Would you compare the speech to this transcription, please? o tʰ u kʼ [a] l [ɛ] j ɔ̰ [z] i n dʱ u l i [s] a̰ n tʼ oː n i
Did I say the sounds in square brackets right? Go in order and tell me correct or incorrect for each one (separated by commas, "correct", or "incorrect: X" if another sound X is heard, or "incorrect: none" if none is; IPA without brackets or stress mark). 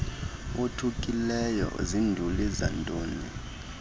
incorrect: i, correct, correct, incorrect: z